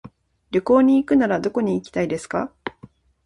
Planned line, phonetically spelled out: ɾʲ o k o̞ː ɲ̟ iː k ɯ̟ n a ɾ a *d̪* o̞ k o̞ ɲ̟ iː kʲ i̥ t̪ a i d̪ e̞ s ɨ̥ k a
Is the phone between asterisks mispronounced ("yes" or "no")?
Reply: no